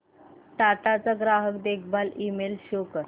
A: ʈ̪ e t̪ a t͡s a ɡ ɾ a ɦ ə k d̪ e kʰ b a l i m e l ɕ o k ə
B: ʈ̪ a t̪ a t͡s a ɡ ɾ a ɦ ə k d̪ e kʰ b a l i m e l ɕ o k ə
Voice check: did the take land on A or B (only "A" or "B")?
B